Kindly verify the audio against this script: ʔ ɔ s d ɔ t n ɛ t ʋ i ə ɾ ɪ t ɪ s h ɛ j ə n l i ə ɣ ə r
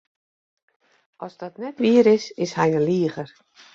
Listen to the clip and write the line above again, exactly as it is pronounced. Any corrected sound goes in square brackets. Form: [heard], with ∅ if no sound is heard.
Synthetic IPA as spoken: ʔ ɔ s d ɔ t n ɛ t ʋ i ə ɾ ɪ [s] ɪ s h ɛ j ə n l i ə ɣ ə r